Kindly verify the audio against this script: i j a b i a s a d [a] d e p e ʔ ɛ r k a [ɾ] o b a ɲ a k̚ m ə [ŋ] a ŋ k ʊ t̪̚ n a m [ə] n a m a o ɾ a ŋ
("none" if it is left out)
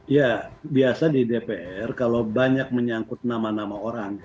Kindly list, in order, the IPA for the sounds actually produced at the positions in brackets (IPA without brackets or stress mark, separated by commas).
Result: i, l, ɲ, a